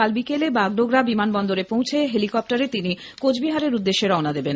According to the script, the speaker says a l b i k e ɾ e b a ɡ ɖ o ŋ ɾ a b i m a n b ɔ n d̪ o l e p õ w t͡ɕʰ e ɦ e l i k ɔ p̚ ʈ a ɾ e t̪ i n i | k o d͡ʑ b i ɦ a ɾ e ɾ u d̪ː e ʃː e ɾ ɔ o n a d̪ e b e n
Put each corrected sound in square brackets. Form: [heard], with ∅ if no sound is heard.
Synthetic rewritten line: a l b i k e [l] e b a ɡ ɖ o [ɡ] ɾ a b i m a n b ɔ n d̪ o [ɾ] e p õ w t͡ɕʰ e ɦ e l i k ɔ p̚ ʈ a ɾ e t̪ i n i | k o d͡ʑ b i ɦ a ɾ e ɾ u d̪ː e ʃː e ɾ ɔ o n a d̪ e b e n

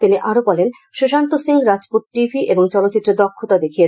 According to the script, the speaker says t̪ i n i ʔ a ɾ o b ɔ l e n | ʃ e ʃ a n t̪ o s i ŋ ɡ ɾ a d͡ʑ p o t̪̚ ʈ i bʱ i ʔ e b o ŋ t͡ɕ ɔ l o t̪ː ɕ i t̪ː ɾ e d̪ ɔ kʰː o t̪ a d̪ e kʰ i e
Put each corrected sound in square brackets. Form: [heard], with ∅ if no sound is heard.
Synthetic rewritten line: t̪ i n i ʔ a ɾ o b ɔ l e n | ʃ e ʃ a n t̪ o s i ŋ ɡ ɾ a d͡ʑ p o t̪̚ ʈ i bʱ i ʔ e b o ŋ t͡ɕ ɔ l o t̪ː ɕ i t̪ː ɾ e d̪ ɔ kʰː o t̪ a d̪ e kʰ i e

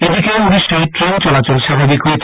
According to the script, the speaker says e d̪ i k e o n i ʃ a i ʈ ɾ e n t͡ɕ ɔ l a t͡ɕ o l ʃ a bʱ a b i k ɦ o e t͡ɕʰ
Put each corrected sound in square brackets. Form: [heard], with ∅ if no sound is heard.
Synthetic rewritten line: e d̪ i k e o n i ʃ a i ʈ ɾ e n t͡ɕ ɔ l a t͡ɕ o l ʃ a bʱ a b i k ɦ o e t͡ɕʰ

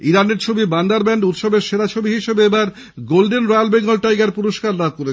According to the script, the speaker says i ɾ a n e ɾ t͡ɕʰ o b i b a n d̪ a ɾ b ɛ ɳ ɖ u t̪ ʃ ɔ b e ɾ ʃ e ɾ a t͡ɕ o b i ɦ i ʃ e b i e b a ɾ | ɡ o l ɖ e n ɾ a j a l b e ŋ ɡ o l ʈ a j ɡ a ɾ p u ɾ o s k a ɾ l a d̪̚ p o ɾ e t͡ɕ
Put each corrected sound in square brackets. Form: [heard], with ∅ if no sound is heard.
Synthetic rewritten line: i ɾ a n e ɾ t͡ɕʰ o b i b a n d̪ a ɾ b ɛ ɳ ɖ u t̪ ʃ ɔ b e ɾ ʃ e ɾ a [t͡ɕʰ] o b i ɦ i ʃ e b [e] e b a ɾ | ɡ o l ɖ e n ɾ a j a l b e ŋ ɡ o l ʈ a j ɡ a ɾ p u ɾ o [ʃ] k a ɾ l a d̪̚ [k] o ɾ e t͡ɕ

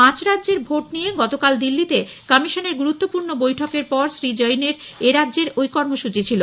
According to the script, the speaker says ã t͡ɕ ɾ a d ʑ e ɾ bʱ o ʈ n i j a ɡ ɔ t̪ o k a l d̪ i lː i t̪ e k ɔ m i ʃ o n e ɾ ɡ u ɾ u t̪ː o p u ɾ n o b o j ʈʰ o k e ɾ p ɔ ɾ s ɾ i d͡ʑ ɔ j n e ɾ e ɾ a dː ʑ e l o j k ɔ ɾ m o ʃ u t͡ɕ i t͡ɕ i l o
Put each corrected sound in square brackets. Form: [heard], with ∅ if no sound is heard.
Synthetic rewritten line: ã t͡ɕ ɾ a d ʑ e ɾ bʱ o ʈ n i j [e] ɡ ɔ t̪ o k a l d̪ i lː i t̪ e k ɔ m i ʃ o n e ɾ ɡ u ɾ u t̪ː o p u ɾ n o b o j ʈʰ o k e ɾ p ɔ ɾ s ɾ i d͡ʑ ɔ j n e ɾ e ɾ a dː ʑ e [ɾ] o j k ɔ ɾ m o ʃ u t͡ɕ i [t͡ɕʰ] i l o

